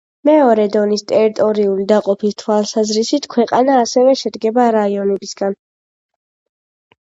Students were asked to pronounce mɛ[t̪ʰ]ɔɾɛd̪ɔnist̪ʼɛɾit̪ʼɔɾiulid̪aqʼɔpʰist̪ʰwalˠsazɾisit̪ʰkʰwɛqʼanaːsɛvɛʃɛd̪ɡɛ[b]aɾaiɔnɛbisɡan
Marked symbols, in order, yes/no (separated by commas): no, yes